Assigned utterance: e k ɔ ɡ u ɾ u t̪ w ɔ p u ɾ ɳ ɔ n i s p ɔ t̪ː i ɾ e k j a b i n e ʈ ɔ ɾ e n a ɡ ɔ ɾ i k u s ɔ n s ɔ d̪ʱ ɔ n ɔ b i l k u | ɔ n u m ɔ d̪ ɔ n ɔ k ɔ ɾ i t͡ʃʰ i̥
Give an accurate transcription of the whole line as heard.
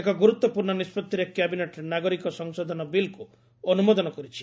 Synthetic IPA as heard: e k ɔ ɡ u ɾ u t̪ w ɔ p u ɾ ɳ ɔ n i s p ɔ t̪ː i ɾ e k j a b i n e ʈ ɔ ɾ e n a ɡ ɔ ɾ i k ɔ s ɔ ŋ s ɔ d̪ʱ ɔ n ɔ b i l k u | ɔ n u m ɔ d̪ ɔ n ɔ k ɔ ɾ i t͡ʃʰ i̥

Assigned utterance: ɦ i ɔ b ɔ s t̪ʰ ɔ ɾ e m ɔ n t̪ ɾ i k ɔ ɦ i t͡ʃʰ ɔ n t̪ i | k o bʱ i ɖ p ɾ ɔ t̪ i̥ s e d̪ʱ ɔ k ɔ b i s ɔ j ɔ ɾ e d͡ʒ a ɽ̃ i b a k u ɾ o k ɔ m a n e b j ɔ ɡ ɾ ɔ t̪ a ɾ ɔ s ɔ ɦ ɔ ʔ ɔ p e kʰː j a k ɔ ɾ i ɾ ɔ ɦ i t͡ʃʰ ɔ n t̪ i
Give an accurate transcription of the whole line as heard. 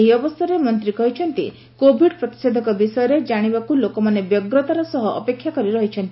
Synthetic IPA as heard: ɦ i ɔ b ɔ s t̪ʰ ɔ ɾ e m ɔ n t̪ ɾ i k ɔ ɦ i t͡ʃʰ ɔ n t̪ i | k o bʱ i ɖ p ɾ ɔ t̪ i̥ s e d̪ʱ ɔ k ɔ b i s ɔ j ɔ ɾ e d͡ʒ a ɽ̃ i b a k u l o k ɔ m a n e b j ɔ ɡ ɾ ɔ t̪ a ɾ ɔ s ɔ ɦ ɔ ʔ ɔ p e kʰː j a k ɔ ɾ i ɾ ɔ ɦ i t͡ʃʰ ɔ n t̪ i

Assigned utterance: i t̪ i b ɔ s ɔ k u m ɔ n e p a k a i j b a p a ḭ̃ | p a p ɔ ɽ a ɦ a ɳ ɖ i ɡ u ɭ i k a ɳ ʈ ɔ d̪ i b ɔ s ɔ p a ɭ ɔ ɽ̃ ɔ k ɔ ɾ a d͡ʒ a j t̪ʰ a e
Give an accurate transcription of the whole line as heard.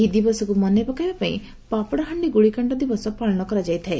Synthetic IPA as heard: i d̪ i b ɔ s ɔ k u m ɔ n e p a k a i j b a p a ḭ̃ | p a p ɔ ɽ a ɦ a ɳ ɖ i ɡ u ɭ i k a ɳ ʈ ɔ d̪ i b ɔ s ɔ p a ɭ ɔ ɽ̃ ɔ k ɔ ɾ a d͡ʒ a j t̪ʰ a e

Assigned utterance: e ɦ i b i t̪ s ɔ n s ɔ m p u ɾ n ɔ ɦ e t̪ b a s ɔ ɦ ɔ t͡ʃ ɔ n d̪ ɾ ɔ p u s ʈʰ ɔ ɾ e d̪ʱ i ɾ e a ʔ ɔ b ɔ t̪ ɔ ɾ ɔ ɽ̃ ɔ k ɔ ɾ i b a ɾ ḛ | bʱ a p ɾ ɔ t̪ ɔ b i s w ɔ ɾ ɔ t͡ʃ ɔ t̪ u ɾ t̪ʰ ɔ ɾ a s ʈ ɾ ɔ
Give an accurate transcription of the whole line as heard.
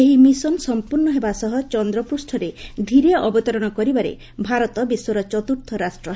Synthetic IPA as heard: e ɦ i m i s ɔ n s ɔ m p u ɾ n ɔ ɦ e b a s ɔ ɦ ɔ t͡ʃ ɔ n d̪ ɾ ɔ p u s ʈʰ ɔ ɾ e d̪ʱ i ɾ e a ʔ ɔ b ɔ t̪ ɔ ɾ ɔ ɽ̃ ɔ k ɔ ɾ i b a ɾ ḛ | bʱ a ɾ ɔ t̪ ɔ b i s w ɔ ɾ ɔ t͡ʃ ɔ t̪ u ɾ t̪ʰ ɔ ɾ a s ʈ ɾ ɔ

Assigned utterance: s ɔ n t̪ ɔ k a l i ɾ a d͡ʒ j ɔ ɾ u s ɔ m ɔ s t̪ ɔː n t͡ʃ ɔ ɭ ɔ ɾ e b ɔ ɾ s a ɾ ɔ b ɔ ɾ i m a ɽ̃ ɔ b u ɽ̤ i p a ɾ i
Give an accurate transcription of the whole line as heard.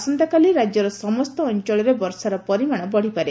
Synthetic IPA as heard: s ɔ n t̪ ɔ k a l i ɾ a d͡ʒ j ɔ ɾ ɔ s ɔ m ɔ s t̪ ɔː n t͡ʃ ɔ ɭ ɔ ɾ e b ɔ ɾ s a ɾ ɔ p ɔ ɾ i m a ɽ̃ ɔ b ɔ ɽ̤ i p a ɾ e

